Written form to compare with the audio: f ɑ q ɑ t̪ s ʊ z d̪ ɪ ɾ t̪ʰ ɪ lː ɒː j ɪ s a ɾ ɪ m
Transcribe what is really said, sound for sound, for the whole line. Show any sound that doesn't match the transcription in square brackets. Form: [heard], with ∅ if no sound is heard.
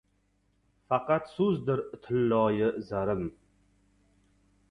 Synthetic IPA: f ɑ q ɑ t̪ s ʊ z d̪ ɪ ɾ t̪ʰ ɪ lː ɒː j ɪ [z] a ɾ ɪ m